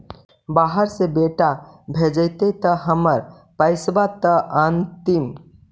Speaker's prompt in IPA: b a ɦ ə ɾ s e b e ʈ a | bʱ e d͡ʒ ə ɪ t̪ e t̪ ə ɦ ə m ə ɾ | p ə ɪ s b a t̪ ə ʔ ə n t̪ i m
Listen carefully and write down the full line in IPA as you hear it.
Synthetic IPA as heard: b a ɦ ə ɾ s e b e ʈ a | bʱ e d͡ʒ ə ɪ t̪ e t̪ ə ɦ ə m ə ɾ | p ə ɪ s b a t̪ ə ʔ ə n t̪ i m